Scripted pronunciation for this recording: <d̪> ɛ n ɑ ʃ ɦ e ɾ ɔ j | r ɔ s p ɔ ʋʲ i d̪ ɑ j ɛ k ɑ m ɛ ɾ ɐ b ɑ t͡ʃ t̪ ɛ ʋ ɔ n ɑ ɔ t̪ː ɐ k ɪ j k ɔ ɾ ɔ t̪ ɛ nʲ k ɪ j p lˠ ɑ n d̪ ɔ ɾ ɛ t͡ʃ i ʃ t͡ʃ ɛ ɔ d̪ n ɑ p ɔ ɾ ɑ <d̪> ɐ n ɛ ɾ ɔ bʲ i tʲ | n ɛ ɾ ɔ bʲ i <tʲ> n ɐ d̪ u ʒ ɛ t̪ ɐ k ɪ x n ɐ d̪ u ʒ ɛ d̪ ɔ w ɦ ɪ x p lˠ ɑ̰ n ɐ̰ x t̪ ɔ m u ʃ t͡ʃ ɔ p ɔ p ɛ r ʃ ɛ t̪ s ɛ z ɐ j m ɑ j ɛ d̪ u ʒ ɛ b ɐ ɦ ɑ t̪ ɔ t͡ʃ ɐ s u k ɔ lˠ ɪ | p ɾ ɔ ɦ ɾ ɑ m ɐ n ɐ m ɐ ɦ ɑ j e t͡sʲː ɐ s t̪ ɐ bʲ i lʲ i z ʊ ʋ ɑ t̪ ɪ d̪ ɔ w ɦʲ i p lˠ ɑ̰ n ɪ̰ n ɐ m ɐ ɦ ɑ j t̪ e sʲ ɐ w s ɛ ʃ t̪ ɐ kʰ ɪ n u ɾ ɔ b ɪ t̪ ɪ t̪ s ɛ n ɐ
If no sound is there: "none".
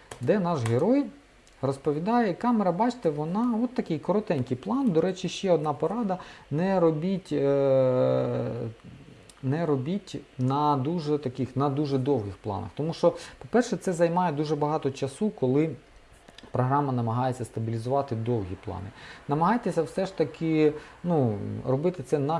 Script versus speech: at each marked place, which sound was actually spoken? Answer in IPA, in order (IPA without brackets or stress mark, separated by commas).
d̪, d̪, tʲ